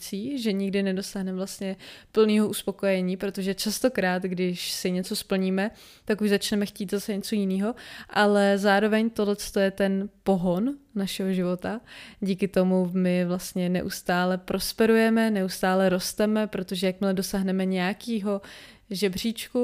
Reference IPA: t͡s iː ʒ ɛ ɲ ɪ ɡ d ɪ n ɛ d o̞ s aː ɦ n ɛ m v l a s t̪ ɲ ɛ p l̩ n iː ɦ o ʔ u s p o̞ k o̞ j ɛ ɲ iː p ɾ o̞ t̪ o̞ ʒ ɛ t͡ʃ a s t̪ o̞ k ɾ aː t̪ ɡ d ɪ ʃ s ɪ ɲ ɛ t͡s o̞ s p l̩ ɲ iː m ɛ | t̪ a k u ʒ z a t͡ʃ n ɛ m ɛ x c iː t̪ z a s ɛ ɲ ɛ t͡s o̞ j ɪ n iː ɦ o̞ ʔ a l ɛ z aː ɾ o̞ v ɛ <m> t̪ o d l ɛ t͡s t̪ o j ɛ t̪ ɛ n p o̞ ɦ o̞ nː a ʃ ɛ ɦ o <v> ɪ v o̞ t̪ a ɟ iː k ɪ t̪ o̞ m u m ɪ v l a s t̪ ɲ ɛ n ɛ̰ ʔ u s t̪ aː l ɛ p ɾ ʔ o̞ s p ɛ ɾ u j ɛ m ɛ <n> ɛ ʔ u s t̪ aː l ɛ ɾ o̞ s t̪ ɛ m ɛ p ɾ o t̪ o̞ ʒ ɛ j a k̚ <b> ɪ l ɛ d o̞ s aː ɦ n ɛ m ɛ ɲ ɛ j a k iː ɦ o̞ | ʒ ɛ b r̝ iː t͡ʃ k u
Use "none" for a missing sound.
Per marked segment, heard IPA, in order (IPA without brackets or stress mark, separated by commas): ɲ, ʒ, n, m